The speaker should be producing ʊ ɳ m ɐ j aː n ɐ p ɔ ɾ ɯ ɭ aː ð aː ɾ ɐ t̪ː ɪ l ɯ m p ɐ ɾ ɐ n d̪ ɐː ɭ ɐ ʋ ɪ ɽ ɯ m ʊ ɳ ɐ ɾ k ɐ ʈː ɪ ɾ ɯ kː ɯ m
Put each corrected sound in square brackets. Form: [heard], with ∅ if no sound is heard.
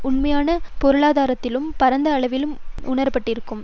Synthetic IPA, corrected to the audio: ʊ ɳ m ɐ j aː n ɐ p ɔ ɾ ɯ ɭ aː ð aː ɾ ɐ t̪ː ɪ l ɯ m p ɐ ɾ ɐ n d̪ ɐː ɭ ɐ ʋ ɪ [l] ɯ m ʊ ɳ ɐ ɾ [p] ɐ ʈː ɪ ɾ ɯ kː ɯ m